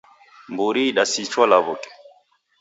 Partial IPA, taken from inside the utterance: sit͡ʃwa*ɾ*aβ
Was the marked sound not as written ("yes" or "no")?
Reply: yes